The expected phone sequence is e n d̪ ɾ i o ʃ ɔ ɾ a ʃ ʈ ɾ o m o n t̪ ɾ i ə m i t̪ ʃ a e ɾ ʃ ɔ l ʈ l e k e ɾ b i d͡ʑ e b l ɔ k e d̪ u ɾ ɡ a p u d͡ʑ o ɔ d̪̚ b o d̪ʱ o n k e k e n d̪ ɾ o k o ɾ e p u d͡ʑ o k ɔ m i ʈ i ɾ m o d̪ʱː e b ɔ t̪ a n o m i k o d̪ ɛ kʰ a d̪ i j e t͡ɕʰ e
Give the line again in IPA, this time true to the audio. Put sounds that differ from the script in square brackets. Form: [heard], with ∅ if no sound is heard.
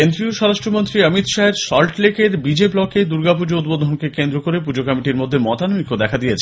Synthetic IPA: e n d̪ ɾ i o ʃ ɔ ɾ a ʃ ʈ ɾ o m o n t̪ ɾ i ə m i t̪ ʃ a e ɾ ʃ ɔ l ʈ l e k e ɾ b i d͡ʑ e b l ɔ k e d̪ u ɾ ɡ a p u d͡ʑ o [u] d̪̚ b o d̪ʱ o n k e k e n d̪ ɾ o k o ɾ e p u d͡ʑ o k ɔ m i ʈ i ɾ m o d̪ʱː e [m] ɔ t̪ a n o m i k o d̪ ɛ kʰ a d̪ i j e t͡ɕʰ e